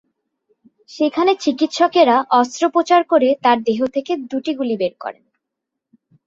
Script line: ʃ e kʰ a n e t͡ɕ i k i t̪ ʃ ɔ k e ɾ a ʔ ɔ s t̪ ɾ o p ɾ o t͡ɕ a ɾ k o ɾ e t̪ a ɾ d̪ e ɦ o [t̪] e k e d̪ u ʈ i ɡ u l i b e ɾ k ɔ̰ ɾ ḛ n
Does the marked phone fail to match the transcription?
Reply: yes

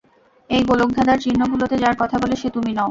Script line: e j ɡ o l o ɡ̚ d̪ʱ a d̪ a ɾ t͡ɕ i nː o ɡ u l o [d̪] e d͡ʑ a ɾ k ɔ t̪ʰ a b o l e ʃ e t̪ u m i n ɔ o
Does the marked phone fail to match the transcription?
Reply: yes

